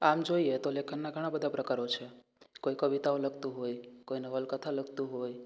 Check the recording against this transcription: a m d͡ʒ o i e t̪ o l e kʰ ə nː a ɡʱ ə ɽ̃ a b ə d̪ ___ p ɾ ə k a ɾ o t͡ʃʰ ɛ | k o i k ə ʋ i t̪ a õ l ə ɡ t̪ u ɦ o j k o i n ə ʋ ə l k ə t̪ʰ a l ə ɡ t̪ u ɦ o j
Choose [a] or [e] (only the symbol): a